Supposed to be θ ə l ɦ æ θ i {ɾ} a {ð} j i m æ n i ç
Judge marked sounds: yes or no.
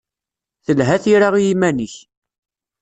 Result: yes, no

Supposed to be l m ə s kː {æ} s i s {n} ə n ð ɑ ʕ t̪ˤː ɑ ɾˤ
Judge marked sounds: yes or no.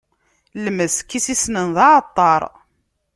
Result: no, yes

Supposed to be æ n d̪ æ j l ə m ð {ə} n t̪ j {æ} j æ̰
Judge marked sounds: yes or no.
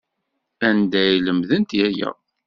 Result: yes, yes

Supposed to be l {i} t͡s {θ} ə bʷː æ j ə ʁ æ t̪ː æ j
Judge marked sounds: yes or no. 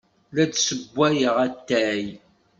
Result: no, no

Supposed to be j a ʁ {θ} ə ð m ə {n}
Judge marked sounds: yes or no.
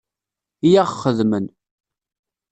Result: no, yes

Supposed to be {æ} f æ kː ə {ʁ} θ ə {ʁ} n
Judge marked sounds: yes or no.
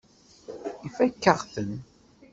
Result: no, yes, no

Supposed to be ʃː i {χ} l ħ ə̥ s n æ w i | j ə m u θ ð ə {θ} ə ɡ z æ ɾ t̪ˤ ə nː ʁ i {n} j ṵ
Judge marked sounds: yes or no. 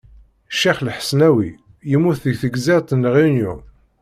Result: yes, yes, yes

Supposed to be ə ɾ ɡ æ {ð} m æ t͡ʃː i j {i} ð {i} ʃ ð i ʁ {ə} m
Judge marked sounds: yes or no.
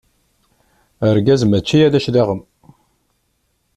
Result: no, no, no, yes

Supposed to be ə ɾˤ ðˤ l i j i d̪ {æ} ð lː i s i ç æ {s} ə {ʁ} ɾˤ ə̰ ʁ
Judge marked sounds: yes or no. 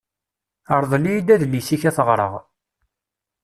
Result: yes, no, yes

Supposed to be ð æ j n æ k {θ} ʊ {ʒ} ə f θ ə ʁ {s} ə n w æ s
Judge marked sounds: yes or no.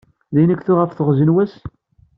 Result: yes, no, no

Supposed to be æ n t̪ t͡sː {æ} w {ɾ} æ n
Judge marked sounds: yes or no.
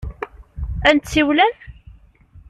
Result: no, no

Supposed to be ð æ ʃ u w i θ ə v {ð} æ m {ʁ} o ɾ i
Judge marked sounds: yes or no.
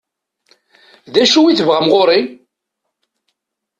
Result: no, yes

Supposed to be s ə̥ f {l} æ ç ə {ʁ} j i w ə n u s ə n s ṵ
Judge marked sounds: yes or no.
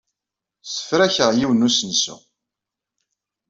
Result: no, yes

